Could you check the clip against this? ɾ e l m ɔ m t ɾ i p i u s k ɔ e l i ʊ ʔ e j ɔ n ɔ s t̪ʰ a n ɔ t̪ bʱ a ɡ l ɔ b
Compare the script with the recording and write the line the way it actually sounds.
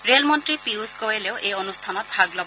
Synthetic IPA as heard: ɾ e l m ɔ n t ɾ i p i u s k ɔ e l e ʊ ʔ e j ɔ n u s t̪ʰ a n ɔ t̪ bʱ a ɡ l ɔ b

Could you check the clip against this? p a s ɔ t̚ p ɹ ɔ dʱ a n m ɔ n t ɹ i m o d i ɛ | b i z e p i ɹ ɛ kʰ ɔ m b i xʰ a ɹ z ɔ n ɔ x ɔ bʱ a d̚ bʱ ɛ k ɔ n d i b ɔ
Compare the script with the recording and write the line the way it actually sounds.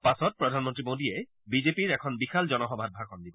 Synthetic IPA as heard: p a s ɔ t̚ p ɹ ɔ dʱ a n m ɔ n t ɹ i m o d i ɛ | b i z e p i ɹ ɛ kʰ ɔ n b i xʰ a l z ɔ n ɔ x ɔ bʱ a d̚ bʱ a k ɔ n d i b ɔ

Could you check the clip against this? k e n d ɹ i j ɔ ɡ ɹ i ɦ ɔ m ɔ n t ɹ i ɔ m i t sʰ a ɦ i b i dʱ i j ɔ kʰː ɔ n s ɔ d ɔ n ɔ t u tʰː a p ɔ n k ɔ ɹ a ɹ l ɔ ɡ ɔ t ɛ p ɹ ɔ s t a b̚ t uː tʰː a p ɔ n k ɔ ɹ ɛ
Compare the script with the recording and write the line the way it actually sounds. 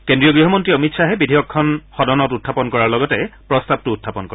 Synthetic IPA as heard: k e n d ɹ i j ɔ ɡ ɹ i ɦ ɔ m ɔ n t ɹ i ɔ m i t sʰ a ɦ ɛ b i dʱ i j ɔ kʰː ɔ n x ɔ d ɔ n ɔ t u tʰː a p ɔ n k ɔ ɹ a ɹ l ɔ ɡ ɔ t ɛ p ɹ ɔ s t a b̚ t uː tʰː a p ɔ n k ɔ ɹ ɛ

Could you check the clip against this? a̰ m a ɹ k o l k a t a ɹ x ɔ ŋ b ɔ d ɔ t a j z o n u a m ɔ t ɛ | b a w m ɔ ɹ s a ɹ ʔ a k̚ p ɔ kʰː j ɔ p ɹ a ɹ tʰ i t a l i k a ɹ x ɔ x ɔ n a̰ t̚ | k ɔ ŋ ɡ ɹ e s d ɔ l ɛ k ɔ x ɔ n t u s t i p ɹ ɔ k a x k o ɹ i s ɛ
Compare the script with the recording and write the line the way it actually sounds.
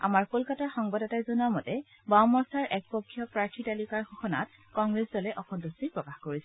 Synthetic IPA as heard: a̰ m a ɹ k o l k a t a ɹ x ɔ ŋ b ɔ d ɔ t a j z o n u a m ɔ t ɛ | b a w m ɔ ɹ s a ɹ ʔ ɛ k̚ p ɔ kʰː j ɔ p ɹ a ɹ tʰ i t a l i k a ɹ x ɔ x ɔ n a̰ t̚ | k ɔ ŋ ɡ ɹ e s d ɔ l ɛ ʔ ɔ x ɔ n t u s t i p ɹ ɔ k a x k o ɹ i s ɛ

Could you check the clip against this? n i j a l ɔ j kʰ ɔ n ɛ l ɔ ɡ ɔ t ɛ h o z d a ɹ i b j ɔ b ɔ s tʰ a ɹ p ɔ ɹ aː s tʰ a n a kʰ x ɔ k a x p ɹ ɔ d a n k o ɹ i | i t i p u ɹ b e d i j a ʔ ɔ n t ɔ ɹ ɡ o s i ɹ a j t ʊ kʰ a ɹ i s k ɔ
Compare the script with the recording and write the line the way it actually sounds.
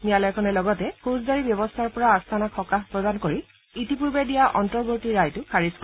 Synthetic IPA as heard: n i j a l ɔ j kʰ ɔ n ɛ l ɔ ɡ ɔ t ɛ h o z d a ɹ i b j ɔ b ɔ s tʰ a ɹ p ɔ ɹ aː s tʰ a n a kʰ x ɔ k a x p ɹ ɔ d a n k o ɹ i | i t i p u ɹ b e d i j a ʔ ɔ n t ɔ ɹ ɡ o t i ɹ a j t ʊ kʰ a ɹ i s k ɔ

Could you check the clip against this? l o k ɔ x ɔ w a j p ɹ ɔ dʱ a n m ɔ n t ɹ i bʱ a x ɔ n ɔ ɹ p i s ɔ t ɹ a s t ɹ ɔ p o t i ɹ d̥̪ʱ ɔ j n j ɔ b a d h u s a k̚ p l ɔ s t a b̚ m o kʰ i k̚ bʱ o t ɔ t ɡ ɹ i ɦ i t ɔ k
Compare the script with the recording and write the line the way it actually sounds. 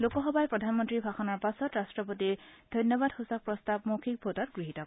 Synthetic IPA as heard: l o k ɔ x ɔ b a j p ɹ ɔ dʱ a n m ɔ n t ɹ i bʱ a x ɔ n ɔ ɹ p a s ɔ t ɹ a s t ɹ ɔ p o t i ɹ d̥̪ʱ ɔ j n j ɔ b a d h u s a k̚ p ɹ ɔ s t a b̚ m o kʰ i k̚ bʱ o t ɔ t ɡ ɹ i ɦ i t ɔ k

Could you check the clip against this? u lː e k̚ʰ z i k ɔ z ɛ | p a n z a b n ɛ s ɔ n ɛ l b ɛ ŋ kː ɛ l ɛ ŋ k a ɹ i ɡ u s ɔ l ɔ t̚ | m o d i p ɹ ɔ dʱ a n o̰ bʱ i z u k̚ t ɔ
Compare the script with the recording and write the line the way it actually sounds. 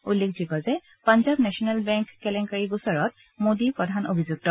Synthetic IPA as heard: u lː e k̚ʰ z i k ɔ z ɛ | p a n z a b n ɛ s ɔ n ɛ l b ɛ ŋ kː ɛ l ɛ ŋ k a ɹ i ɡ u s ɔ ɹ ɔ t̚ | m o d i p ɹ ɔ dʱ a n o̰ bʱ i z u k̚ t ɔ

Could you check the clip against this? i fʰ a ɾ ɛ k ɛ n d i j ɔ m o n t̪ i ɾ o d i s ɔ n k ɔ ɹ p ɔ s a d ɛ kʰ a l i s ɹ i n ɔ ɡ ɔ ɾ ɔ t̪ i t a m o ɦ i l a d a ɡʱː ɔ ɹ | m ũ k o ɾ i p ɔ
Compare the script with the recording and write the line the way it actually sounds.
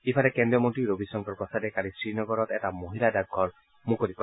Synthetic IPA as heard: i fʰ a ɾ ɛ k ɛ n d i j ɔ m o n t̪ i ɾ o b i s ɔ ŋ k ɔ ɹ p ɔ s a d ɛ k a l i s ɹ i n ɔ ɡ ɔ ɾ ɔ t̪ ɛ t a m o ɦ i l a d a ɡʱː ɔ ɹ | m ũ k o ɾ i p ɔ

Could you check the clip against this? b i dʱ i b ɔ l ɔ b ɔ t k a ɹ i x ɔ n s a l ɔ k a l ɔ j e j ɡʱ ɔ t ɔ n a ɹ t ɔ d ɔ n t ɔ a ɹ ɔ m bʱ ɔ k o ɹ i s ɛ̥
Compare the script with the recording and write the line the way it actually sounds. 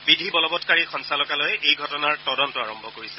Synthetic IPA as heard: b i dʱ i b ɔ l ɔ b ɔ t k a ɹ i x ɔ n s a l ɔ k a l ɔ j e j ɡʱ ɔ t ɔ n a ɹ t ɔ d ɔ n t ɔ a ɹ ɔ m bʱ ɔ k o ɹ i s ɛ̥

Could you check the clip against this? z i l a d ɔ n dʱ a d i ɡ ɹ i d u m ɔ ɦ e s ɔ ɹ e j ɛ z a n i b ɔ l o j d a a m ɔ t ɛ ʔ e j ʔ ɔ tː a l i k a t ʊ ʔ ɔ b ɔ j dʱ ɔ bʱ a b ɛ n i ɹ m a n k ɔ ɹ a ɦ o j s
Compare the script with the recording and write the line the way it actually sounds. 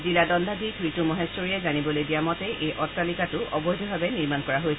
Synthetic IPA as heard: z i l a d ɔ n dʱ a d i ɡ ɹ i t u m ɔ ɦ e s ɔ ɹ i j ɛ z a n i b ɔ l o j d i a m ɔ t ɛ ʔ e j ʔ ɔ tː a l i k a t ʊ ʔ ɔ b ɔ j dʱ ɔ bʱ a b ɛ n i ɹ m a n k ɔ ɹ a ɦ o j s

